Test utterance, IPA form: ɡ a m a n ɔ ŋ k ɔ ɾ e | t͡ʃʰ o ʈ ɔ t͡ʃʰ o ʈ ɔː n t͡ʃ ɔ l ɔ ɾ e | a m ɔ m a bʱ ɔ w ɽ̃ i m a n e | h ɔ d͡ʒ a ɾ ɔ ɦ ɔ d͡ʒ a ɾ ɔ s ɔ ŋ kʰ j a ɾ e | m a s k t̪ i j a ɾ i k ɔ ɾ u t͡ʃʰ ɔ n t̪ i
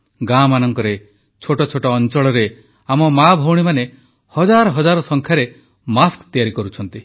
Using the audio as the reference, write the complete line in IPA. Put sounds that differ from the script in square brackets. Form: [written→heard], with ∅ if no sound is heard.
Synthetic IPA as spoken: ɡ a m a n ɔ ŋ k ɔ ɾ e | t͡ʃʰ o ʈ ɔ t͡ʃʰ o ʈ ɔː n t͡ʃ ɔ [l→ɭ] ɔ ɾ e | a m ɔ m a bʱ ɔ w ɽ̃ i m a n e | h ɔ d͡ʒ a ɾ ɔ ɦ ɔ d͡ʒ a ɾ ɔ s ɔ ŋ kʰ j a ɾ e | m a s k t̪ i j a ɾ i k ɔ ɾ u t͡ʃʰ ɔ n t̪ i